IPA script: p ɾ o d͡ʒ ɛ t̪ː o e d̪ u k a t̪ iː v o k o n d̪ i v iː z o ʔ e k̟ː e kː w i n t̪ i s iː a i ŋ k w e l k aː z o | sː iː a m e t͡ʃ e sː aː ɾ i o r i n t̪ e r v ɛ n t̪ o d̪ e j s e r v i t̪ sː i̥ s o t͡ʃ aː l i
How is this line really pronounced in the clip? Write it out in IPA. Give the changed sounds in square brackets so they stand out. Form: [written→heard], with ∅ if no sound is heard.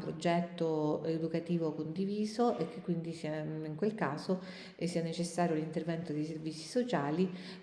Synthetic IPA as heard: p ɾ o d͡ʒ ɛ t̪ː o e d̪ u k a t̪ iː v o k o n d̪ i v iː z o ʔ e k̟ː e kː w i n [t̪→d̪] i s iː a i ŋ k w e l k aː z o | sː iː a [m→n] e t͡ʃ e sː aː ɾ [i→j] o [r→l] i n t̪ e r v ɛ n t̪ o d̪ e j s e r v i t̪ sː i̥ s o t͡ʃ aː l i